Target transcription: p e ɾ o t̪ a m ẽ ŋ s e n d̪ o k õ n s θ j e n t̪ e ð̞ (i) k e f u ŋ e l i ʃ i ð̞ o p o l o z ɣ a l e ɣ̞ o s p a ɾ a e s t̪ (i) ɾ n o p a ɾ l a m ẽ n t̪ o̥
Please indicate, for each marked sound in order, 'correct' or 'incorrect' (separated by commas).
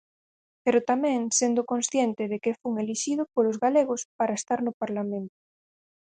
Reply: incorrect, incorrect